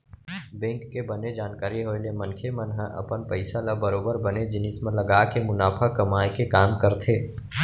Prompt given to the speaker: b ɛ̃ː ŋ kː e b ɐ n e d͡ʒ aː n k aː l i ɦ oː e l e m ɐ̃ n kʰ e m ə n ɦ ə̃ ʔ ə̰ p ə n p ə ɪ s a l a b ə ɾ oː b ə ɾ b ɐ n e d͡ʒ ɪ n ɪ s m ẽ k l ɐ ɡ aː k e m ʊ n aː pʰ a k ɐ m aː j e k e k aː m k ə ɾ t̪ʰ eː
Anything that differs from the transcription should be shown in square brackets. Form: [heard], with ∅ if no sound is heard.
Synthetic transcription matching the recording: b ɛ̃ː ŋ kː e b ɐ n e d͡ʒ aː n k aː [ɾ] i ɦ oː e l e m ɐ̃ n kʰ e m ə n ɦ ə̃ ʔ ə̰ p ə n p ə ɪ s a l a b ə ɾ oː b ə ɾ b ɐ n e d͡ʒ ɪ n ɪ s m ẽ [∅] l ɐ ɡ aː k e m ʊ n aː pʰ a k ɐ m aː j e k e k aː m k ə ɾ t̪ʰ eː